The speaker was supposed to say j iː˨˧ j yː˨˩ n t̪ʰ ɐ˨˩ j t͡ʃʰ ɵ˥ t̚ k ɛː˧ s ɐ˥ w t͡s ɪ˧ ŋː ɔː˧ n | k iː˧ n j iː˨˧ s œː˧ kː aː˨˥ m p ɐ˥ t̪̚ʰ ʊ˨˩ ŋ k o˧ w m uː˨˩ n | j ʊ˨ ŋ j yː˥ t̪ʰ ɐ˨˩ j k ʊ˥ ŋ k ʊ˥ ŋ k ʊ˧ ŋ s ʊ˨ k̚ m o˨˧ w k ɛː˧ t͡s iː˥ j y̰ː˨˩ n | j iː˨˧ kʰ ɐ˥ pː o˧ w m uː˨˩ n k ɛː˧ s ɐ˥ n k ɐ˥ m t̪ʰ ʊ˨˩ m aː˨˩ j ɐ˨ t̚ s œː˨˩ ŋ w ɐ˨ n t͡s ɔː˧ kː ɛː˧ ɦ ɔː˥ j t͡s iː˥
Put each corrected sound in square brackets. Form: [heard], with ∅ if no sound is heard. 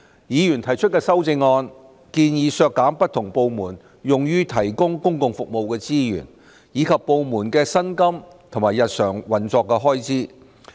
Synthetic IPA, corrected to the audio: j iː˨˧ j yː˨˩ n t̪ʰ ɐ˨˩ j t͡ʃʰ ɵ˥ t̚ k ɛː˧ s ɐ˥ w t͡s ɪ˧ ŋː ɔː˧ n | k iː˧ n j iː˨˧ s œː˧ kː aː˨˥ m p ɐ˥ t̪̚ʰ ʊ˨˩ ŋ [p] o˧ w m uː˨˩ n | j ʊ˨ ŋ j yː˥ t̪ʰ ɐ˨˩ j k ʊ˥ ŋ k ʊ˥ ŋ k ʊ˧ ŋ [f] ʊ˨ k̚ m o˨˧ w k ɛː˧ t͡s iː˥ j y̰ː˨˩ n | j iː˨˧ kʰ [ɐ˨] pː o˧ w m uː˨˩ n k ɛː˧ s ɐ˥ n k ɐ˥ m t̪ʰ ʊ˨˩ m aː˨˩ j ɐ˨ t̚ s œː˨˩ ŋ w ɐ˨ n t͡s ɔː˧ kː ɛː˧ ɦ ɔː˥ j t͡s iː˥